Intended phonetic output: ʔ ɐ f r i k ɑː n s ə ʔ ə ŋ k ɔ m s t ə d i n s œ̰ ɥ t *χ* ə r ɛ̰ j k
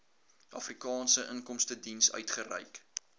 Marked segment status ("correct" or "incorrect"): correct